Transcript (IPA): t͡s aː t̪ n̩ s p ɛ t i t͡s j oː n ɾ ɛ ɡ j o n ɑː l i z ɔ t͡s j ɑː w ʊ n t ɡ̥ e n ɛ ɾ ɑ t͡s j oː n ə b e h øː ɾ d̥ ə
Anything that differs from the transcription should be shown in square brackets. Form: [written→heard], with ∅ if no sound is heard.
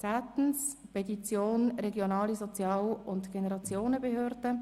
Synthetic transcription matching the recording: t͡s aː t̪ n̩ s p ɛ t i t͡s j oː n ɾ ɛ ɡ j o n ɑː l i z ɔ t͡s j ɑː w ʊ n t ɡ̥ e n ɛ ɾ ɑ t͡s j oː n ə b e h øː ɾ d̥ ə